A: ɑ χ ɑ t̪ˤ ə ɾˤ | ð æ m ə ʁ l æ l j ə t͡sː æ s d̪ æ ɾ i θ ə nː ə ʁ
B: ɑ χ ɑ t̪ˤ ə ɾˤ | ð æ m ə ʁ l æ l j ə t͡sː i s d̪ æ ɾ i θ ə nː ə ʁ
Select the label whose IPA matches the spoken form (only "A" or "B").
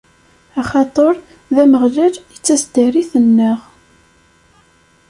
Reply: A